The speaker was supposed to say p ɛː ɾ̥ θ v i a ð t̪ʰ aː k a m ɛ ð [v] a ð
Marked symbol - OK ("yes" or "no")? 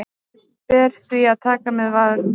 yes